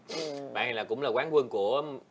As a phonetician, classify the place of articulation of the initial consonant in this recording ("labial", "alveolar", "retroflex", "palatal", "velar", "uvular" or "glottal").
labial